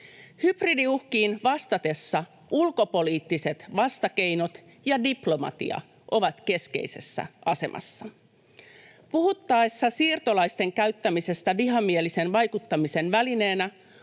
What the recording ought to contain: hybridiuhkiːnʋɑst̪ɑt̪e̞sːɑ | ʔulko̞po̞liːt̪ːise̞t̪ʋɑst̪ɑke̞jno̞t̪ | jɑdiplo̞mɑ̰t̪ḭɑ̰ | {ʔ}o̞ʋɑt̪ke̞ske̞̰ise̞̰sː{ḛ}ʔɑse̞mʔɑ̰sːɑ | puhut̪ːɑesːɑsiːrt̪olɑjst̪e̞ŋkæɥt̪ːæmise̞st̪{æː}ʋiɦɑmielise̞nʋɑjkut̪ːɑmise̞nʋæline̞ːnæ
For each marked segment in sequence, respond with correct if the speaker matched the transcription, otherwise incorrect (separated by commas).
correct, incorrect, incorrect